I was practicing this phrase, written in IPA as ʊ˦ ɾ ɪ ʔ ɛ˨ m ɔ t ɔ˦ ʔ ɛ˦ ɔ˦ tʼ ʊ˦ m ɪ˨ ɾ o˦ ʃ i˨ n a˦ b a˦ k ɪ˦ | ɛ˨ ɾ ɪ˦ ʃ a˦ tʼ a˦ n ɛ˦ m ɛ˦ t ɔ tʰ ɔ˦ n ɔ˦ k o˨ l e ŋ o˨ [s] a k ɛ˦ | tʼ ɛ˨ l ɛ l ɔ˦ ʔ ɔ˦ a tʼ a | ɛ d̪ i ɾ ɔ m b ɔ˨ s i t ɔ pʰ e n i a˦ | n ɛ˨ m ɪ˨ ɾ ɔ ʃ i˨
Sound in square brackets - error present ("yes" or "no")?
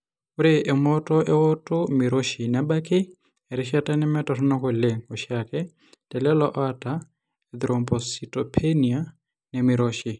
yes